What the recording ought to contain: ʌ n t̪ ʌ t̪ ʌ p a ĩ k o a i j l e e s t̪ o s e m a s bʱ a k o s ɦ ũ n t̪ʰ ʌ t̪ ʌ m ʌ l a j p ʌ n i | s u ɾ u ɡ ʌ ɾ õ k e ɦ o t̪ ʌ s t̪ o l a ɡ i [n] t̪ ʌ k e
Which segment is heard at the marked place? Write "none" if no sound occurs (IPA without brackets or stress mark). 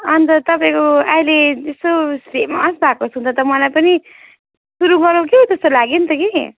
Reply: n